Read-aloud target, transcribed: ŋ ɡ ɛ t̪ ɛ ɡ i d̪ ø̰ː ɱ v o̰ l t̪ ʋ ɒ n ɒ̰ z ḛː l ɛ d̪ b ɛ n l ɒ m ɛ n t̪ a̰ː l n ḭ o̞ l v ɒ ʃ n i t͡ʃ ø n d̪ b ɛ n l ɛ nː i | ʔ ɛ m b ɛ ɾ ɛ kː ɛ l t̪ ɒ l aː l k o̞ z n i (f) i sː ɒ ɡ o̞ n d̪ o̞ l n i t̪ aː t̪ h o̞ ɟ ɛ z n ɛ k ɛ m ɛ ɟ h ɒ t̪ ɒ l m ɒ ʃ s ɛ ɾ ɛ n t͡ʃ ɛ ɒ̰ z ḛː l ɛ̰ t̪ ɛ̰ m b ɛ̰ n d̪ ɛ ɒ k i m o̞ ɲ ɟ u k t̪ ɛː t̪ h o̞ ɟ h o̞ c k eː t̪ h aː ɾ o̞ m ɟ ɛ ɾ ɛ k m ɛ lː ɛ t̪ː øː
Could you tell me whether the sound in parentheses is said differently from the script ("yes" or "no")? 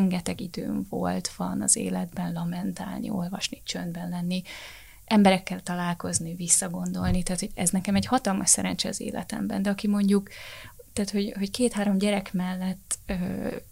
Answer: yes